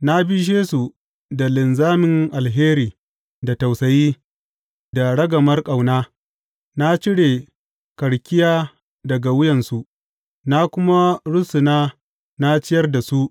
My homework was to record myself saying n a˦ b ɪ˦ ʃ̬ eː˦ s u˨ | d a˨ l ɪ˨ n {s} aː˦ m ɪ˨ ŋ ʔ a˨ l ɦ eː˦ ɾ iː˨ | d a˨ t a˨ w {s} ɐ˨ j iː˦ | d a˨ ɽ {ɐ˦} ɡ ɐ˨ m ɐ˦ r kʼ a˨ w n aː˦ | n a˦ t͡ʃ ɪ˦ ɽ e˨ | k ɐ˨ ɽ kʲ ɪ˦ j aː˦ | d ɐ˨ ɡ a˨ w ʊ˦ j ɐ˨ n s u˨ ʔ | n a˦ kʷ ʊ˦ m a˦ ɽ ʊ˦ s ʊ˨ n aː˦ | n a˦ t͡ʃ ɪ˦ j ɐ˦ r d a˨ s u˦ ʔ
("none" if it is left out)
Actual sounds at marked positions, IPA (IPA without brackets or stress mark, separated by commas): z, s, ɐ˦